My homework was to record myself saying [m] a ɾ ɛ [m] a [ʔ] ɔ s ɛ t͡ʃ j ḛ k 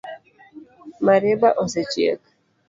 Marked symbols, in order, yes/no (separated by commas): yes, no, yes